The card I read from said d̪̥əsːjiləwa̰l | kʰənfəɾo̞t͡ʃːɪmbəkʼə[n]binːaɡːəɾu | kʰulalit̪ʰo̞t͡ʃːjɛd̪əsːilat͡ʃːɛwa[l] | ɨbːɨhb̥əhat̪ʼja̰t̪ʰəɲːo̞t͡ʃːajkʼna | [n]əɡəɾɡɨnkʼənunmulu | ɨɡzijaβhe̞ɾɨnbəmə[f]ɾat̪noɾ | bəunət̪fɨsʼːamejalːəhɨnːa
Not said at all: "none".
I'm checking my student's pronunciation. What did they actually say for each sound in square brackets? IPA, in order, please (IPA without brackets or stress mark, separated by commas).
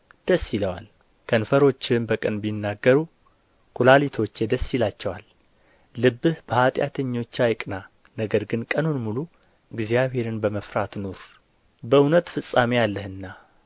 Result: n, lː, n, f